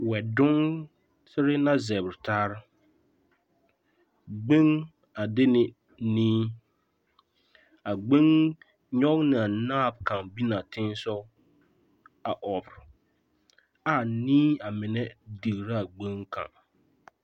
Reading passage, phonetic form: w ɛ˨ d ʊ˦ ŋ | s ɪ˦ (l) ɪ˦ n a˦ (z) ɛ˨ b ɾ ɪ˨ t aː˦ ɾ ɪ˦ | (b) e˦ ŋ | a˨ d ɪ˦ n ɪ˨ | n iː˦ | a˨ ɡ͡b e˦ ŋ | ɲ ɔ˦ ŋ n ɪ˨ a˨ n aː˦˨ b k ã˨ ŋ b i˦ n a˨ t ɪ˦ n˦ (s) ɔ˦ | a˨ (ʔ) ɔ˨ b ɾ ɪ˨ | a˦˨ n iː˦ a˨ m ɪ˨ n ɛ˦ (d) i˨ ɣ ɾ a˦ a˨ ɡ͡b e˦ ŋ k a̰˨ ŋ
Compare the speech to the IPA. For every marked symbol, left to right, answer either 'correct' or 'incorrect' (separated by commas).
incorrect, correct, incorrect, correct, correct, correct